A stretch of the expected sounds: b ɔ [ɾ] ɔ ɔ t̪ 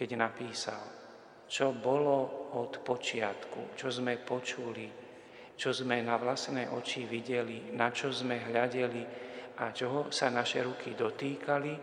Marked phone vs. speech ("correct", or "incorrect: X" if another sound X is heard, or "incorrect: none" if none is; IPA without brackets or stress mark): incorrect: l